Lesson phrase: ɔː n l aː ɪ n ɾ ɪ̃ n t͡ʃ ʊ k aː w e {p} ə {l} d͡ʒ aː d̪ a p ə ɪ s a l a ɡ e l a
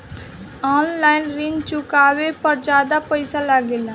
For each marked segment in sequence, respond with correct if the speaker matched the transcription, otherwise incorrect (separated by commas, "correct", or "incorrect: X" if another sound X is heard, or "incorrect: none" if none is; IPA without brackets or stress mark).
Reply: correct, incorrect: ɾ